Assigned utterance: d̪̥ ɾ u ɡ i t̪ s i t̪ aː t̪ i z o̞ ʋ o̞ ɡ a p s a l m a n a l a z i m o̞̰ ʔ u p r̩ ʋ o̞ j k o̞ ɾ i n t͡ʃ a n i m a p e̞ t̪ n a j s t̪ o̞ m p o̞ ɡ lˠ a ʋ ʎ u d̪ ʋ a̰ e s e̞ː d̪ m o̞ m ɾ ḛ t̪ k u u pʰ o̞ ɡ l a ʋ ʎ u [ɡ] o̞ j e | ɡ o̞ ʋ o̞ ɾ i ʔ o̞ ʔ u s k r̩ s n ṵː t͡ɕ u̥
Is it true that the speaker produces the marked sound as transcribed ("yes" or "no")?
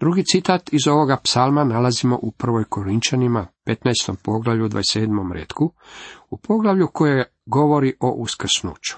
no